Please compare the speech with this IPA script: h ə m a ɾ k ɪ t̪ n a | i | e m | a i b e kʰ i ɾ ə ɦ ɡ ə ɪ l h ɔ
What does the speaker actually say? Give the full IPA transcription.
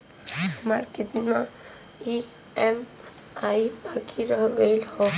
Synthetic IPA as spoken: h ə m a ɾ k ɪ t̪ n a | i | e m | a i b a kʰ i ɾ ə ɦ ɡ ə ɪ l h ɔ